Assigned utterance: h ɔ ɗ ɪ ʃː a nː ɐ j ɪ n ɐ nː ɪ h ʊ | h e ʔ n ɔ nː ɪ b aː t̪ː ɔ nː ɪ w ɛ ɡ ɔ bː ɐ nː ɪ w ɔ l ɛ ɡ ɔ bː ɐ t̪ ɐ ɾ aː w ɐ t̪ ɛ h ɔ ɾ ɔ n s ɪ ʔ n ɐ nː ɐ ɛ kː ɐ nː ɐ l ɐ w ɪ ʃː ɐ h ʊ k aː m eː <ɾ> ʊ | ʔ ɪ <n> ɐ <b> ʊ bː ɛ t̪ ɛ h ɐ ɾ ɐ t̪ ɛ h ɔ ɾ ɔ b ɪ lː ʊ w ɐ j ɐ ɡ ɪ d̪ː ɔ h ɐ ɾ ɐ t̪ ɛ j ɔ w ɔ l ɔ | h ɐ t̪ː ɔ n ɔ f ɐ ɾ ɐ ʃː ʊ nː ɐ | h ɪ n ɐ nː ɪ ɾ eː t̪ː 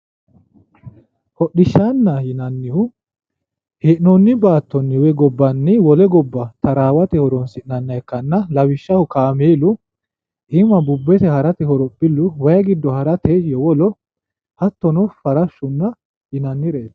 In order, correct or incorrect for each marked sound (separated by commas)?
incorrect, incorrect, correct